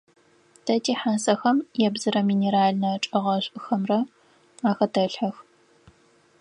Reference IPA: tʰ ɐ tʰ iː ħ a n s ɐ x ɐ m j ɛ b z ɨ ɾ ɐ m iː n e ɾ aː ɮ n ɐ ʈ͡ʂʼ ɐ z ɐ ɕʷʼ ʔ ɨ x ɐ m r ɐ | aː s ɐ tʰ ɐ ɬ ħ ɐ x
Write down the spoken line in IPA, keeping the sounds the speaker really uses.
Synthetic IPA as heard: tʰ ɐ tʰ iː ħ a n s ɐ x ɐ m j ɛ b z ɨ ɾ ɐ m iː n e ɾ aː ɮ n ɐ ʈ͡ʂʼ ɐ ʁ ɐ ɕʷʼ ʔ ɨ x ɐ m r ɐ | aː x ɐ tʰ ɐ ɬ ħ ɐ x